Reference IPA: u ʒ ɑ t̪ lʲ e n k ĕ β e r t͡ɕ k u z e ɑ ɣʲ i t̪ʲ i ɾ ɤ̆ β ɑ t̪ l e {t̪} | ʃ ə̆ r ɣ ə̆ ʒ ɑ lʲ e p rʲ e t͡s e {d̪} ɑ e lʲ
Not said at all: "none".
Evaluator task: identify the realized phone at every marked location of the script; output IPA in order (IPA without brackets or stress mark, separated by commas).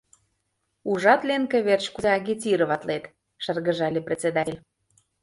t̪, d̪